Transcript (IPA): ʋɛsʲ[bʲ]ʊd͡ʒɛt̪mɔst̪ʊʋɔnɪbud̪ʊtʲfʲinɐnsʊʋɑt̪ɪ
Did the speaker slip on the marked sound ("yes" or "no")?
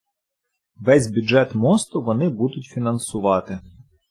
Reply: no